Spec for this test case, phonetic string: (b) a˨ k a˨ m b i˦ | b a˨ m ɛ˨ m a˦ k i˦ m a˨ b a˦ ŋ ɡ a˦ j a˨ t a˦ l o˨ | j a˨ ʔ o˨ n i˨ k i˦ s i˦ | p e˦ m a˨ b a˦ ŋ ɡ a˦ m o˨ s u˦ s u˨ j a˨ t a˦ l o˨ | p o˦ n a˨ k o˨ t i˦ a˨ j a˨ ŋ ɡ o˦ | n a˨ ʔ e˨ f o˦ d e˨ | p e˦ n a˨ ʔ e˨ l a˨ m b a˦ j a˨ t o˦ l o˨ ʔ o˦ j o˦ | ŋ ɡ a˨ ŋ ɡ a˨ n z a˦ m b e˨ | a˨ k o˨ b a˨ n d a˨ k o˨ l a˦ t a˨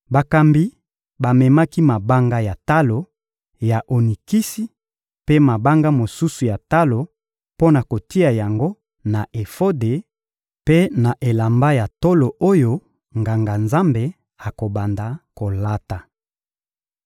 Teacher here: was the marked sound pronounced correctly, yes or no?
yes